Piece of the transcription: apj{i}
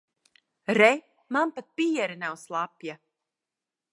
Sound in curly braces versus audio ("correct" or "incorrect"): incorrect